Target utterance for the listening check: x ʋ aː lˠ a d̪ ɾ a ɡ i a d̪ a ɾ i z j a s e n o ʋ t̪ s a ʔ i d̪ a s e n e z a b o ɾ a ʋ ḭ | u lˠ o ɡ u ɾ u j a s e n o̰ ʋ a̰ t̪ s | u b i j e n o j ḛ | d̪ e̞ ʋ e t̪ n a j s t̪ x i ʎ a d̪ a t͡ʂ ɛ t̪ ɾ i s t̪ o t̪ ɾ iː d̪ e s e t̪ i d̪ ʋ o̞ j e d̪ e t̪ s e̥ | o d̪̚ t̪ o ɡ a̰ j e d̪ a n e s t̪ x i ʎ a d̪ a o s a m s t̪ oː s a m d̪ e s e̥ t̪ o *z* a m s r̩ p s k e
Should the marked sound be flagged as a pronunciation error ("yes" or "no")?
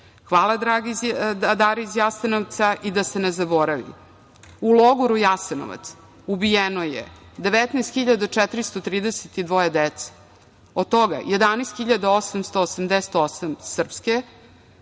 yes